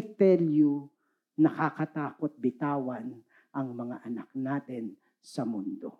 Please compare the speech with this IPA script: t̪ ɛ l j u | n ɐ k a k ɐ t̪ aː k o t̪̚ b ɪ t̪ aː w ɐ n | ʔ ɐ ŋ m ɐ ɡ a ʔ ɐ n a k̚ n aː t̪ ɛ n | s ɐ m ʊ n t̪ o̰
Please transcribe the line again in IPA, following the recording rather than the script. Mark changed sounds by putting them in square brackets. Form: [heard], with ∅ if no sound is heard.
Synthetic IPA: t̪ ɛ l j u | n ɐ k a k ɐ t̪ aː k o t̪̚ b ɪ t̪ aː w ɐ n | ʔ ɐ ŋ m ɐ [ŋ] a ʔ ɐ n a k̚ n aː t̪ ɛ n | s ɐ m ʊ n [d̪] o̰